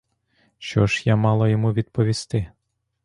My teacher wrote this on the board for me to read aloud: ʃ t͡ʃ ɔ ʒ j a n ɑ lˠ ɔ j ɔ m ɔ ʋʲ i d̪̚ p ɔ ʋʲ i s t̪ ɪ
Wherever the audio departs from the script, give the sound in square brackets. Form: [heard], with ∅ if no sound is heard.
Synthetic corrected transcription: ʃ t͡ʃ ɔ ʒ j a [m] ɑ lˠ ɔ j ɔ m [u] ʋʲ i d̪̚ p ɔ ʋʲ i s t̪ ɪ